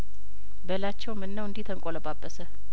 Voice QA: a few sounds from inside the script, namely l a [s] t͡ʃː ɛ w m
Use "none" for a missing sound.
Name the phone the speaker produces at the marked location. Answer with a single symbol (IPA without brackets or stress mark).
none